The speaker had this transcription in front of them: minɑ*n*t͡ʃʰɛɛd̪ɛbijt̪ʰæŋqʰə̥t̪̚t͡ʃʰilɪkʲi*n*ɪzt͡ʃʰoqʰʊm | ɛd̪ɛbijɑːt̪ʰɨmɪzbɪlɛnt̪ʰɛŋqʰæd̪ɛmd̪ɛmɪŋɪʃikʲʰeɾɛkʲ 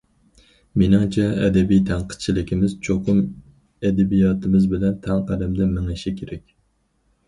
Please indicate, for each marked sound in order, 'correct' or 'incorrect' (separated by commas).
incorrect, incorrect